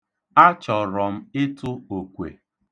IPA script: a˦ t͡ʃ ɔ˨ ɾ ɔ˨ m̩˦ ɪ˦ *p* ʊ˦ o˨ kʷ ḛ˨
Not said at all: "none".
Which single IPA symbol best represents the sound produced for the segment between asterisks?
t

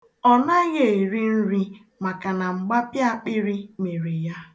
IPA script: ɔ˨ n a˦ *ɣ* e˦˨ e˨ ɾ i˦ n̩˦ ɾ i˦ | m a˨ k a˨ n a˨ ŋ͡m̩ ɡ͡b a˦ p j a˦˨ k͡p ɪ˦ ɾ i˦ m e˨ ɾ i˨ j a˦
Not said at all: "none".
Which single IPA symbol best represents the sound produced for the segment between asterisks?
ɣ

